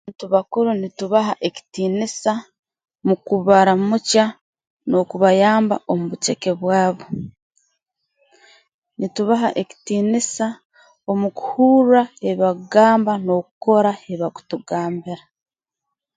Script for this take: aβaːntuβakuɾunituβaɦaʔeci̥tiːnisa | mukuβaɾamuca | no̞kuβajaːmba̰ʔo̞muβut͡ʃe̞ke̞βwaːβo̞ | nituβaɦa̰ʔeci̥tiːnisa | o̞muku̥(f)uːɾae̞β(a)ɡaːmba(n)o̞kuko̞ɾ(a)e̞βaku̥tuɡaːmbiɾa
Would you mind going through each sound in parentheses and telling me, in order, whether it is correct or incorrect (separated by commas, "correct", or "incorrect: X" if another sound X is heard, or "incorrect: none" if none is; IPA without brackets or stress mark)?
incorrect: h, correct, correct, correct